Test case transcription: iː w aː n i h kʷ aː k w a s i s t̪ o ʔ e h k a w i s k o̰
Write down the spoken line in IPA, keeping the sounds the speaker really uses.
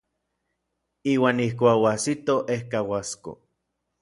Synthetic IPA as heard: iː w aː n i h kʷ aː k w a s i t̪ o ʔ e h k a w a s k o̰